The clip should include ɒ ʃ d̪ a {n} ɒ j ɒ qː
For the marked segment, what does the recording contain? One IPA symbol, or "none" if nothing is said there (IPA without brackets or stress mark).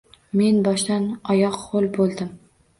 n